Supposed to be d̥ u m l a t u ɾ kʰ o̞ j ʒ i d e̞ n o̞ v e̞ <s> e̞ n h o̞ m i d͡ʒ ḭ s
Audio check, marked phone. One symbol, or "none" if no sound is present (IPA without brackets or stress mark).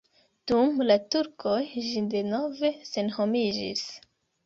s